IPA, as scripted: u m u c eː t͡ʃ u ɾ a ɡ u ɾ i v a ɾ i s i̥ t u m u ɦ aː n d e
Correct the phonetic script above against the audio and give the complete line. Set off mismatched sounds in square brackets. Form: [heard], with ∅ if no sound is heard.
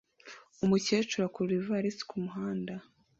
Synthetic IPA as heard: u m u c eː t͡ʃ u ɾ a [k] u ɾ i v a ɾ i s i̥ [k] u m u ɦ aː n d [a]

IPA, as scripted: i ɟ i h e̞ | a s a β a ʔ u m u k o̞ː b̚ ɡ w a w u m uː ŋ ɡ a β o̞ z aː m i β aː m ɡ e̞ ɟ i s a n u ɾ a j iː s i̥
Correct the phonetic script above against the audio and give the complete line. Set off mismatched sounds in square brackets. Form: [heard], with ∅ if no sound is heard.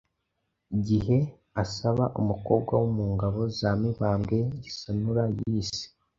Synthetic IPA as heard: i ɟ i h e̞ | a s a β a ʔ u m u k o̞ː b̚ ɡ w a w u m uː ŋ ɡ a β o̞ z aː m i β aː m ɡ e̞ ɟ i s a n u ɾ a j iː s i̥

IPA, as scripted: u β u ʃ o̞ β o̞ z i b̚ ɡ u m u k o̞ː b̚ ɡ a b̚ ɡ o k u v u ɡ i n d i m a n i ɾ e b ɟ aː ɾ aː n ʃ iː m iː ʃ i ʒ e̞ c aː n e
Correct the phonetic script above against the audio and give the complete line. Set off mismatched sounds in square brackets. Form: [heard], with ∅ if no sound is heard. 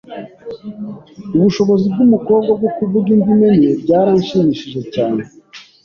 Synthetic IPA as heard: u β u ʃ o̞ β o̞ z i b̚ ɡ u m u k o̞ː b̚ ɡ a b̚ ɡ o k u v u ɡ i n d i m [e] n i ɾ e b ɟ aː ɾ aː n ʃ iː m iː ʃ i ʒ e̞ c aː n e

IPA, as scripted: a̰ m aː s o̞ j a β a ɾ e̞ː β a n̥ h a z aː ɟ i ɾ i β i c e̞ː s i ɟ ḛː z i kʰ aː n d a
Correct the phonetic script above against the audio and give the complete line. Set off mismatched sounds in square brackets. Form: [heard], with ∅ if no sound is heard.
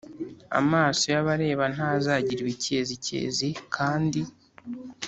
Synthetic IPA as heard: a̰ m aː s o̞ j a β a ɾ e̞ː β a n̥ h a z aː ɟ i ɾ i β i c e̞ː [z] i [c] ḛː z i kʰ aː n d [i]

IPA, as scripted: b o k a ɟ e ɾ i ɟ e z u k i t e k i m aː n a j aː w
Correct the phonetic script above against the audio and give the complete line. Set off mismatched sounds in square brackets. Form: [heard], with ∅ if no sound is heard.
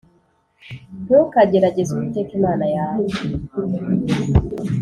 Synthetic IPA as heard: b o k a ɟ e ɾ [a] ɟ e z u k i t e k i m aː n a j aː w

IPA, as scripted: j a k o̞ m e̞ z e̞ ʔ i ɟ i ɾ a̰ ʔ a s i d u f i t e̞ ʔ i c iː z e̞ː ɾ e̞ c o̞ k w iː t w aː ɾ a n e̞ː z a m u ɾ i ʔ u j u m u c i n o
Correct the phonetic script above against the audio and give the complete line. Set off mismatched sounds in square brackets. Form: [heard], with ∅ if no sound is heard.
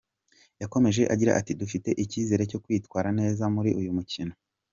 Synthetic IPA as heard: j a k o̞ m e̞ [ʒ] e̞ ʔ [a] ɟ i ɾ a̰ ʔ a [t] i d u f i t e̞ ʔ i c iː z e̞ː ɾ e̞ c o̞ k w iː t w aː ɾ a n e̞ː z a m u ɾ i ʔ u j u m u c i n o

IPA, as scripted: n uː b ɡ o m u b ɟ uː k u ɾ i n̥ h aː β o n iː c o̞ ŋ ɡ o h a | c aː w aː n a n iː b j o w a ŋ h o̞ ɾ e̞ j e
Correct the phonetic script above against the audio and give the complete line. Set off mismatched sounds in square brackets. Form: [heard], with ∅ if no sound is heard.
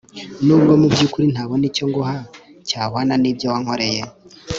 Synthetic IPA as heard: n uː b ɡ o m u b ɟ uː k u ɾ i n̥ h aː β o n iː c o̞ ŋ ɡ o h a | c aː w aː n a n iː b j o w a ŋ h o̞ ɾ e̞ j e

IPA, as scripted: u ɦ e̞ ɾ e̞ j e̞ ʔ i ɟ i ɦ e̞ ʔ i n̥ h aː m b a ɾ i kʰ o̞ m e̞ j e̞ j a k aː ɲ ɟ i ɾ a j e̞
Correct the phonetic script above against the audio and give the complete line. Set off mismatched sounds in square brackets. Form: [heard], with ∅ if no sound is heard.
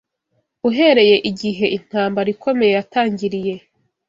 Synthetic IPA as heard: u ɦ e̞ ɾ e̞ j e̞ ʔ i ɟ i ɦ e̞ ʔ i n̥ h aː m b a ɾ i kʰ o̞ m e̞ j e̞ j a [t] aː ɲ ɟ i ɾ [i] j e̞

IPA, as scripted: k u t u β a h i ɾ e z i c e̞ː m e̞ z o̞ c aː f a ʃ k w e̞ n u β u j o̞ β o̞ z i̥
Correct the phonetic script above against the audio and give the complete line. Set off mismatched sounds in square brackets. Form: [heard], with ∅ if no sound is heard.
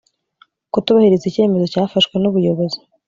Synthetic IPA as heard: k u t u β a h i ɾ e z i c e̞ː m e̞ z o̞ c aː f a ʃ k w e̞ n u β u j o̞ β o̞ z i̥

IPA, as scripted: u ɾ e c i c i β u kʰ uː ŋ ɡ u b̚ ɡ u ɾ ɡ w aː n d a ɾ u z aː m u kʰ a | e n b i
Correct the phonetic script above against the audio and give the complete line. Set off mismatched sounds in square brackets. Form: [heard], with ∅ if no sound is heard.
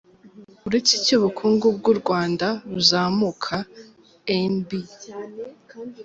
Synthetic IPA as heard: u ɾ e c i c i β u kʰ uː ŋ ɡ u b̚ ɡ u ɾ ɡ w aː n d a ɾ u z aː m u kʰ a | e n b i

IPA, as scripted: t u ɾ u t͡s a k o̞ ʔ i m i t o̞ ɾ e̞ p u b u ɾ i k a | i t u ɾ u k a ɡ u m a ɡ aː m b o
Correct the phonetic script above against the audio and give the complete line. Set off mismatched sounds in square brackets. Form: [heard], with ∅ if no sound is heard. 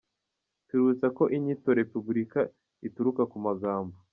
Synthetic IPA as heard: t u ɾ u t͡s a k o̞ ʔ i [ɲ] i t o̞ ɾ e̞ p u b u ɾ i k a | i t u ɾ u k a [k] u m a ɡ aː m b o

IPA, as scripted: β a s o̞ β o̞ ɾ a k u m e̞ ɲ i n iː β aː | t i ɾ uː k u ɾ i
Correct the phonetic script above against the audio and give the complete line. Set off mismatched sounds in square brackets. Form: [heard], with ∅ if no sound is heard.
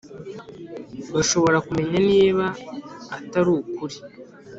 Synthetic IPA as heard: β a [ʃ] o̞ β o̞ ɾ a k u m e̞ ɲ [a] n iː β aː | t [a] ɾ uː k u ɾ i

